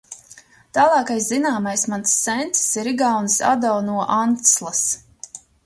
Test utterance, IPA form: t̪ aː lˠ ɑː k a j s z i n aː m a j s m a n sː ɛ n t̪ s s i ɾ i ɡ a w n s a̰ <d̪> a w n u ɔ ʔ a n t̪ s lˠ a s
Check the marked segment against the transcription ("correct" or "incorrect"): correct